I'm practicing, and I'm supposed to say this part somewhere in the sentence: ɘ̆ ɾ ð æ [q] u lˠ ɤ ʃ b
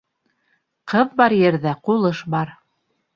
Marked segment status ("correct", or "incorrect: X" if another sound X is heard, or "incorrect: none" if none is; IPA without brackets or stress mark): correct